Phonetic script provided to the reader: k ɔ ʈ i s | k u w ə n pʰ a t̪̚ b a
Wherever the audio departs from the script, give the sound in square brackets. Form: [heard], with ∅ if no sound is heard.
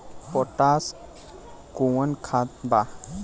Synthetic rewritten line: [p] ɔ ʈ [a] s | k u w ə n [kʰ] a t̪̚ b a